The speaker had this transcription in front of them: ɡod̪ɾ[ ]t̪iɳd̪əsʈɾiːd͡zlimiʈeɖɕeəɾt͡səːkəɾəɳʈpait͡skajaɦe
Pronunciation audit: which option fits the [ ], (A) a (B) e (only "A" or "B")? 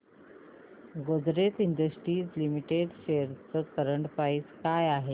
B